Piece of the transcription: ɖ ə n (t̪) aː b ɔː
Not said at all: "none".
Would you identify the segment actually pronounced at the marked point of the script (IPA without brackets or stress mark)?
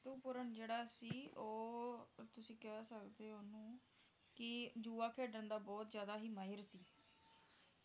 d̪